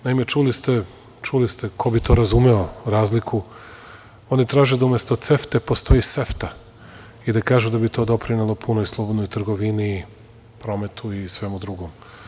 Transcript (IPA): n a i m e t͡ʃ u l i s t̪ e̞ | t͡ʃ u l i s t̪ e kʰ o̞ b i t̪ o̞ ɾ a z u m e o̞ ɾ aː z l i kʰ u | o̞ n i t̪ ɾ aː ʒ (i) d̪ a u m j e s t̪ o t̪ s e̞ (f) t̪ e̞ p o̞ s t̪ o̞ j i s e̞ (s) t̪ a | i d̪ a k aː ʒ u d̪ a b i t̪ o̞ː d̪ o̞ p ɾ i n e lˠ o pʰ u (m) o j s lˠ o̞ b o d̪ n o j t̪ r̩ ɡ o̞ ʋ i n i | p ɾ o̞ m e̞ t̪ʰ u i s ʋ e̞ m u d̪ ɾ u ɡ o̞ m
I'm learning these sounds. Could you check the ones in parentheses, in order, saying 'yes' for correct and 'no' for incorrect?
no, yes, no, no

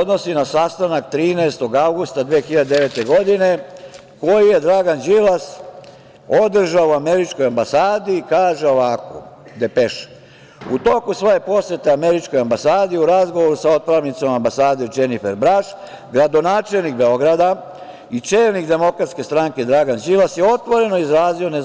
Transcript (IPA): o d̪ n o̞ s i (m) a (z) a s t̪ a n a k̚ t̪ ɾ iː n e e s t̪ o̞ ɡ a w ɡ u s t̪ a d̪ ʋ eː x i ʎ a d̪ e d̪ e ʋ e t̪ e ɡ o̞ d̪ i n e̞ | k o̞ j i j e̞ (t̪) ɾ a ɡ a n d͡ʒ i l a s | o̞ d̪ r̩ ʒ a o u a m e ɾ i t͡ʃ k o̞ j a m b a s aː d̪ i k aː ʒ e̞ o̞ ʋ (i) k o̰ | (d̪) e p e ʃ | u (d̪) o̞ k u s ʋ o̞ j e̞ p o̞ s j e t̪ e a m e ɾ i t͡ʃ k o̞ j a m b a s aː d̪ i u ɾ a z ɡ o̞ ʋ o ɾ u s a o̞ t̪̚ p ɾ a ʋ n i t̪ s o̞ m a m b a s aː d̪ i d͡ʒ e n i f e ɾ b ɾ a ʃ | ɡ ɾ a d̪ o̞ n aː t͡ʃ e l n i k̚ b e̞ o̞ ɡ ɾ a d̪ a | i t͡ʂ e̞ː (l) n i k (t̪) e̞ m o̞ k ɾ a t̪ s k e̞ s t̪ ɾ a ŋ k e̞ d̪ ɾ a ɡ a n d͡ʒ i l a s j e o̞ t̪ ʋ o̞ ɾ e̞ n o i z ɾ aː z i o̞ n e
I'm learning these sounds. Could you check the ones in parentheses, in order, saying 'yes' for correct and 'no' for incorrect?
no, no, no, no, yes, no, yes, no

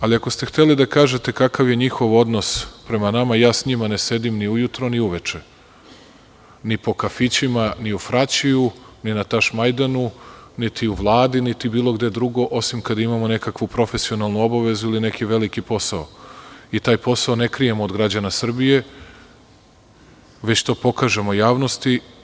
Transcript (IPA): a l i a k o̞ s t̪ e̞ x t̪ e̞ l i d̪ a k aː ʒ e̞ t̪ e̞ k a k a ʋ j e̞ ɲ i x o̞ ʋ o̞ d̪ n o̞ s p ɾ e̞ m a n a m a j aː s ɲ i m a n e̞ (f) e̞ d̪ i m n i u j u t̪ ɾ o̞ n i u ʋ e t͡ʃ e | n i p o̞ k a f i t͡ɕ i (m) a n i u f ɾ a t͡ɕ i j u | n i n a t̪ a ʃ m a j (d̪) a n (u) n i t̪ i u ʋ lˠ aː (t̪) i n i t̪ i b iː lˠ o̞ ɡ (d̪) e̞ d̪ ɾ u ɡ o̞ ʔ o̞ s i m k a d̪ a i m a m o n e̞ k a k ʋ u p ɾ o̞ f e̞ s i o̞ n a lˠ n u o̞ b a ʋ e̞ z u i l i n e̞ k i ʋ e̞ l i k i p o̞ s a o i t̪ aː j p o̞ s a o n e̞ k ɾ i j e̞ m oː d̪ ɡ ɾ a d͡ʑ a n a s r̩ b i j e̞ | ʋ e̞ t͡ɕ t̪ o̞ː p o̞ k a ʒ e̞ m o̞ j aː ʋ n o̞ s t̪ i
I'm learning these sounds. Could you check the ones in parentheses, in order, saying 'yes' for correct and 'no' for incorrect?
no, yes, yes, yes, no, yes

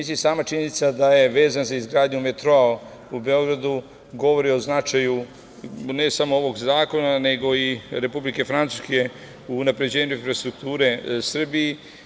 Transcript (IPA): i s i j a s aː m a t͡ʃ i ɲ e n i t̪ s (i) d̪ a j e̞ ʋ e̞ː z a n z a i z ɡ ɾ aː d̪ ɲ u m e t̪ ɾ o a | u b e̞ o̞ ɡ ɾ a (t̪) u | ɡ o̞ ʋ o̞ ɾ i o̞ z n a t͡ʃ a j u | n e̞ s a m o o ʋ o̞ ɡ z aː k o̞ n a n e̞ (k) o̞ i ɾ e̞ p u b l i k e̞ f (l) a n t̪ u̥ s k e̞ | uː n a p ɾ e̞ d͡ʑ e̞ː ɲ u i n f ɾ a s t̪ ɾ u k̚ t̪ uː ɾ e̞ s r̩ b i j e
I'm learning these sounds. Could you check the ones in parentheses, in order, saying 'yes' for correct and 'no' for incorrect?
no, no, no, no

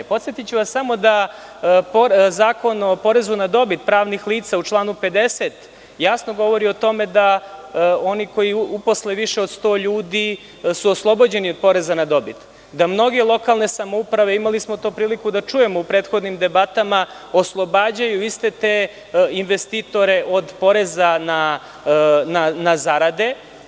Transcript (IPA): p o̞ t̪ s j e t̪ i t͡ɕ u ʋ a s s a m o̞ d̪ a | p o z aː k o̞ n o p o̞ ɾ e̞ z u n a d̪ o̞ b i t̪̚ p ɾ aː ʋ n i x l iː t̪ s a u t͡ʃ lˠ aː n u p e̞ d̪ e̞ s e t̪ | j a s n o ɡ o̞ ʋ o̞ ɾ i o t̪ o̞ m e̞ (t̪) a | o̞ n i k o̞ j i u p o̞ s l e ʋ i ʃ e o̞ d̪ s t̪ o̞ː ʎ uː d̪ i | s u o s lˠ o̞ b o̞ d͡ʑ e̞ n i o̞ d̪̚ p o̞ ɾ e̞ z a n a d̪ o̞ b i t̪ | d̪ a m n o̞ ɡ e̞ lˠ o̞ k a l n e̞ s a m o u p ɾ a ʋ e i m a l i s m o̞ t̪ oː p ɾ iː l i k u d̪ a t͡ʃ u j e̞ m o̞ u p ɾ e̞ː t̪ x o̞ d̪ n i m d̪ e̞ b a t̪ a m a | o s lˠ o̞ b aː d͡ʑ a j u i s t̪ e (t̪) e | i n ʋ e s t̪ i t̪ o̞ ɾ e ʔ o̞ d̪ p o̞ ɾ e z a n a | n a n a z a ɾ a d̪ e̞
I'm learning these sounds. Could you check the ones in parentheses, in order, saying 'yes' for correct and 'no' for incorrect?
no, yes

